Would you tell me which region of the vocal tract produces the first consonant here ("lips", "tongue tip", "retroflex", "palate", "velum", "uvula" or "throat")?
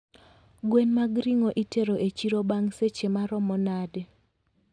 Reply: velum